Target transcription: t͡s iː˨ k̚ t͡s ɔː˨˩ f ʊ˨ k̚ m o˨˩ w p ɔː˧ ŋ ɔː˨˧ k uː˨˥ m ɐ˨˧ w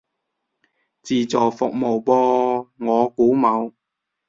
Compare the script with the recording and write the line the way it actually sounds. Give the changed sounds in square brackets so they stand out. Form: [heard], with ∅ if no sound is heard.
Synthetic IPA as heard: t͡s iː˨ [∅] t͡s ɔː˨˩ f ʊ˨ k̚ m o˨˩ w p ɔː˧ ŋ ɔː˨˧ k uː˨˥ m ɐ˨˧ w